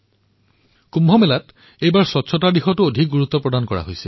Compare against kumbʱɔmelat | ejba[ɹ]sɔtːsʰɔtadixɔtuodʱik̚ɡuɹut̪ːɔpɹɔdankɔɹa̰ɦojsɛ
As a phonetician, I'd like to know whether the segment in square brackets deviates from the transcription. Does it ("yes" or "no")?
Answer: no